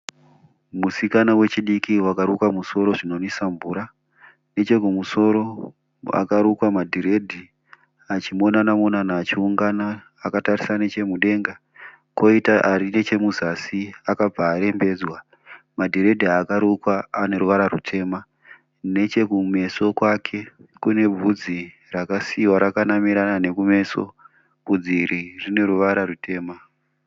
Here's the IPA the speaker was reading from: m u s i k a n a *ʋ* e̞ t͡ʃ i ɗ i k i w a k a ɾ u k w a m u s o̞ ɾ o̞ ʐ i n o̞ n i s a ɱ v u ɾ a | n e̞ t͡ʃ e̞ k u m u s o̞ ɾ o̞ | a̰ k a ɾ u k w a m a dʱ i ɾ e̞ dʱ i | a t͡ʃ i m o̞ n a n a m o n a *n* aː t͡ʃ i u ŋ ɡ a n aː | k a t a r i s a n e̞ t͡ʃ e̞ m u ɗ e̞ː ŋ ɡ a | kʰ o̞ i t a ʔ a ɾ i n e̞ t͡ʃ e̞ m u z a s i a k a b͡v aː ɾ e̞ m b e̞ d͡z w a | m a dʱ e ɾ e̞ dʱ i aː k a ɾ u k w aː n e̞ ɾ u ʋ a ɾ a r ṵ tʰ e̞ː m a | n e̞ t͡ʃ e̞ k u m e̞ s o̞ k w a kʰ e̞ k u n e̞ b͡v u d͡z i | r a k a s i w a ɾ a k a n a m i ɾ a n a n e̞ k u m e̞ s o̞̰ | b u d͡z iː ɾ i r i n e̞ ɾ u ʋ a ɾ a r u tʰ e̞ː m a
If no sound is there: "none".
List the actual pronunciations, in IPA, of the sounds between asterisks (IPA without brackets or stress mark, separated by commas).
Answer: w, n